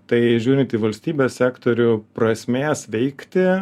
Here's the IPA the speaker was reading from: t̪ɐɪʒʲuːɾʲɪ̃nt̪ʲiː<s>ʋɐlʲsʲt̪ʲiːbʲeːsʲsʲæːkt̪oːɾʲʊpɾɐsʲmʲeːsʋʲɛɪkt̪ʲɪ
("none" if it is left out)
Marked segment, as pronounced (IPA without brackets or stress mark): none